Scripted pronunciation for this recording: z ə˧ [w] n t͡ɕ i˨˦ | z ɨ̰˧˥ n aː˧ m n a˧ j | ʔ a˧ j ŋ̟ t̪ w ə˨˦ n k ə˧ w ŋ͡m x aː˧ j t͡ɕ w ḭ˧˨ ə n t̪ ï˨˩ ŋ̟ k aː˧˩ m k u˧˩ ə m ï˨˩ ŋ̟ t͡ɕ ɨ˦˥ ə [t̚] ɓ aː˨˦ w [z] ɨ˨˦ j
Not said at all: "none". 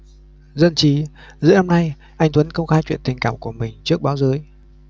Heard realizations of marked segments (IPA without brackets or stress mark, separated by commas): none, k̚, z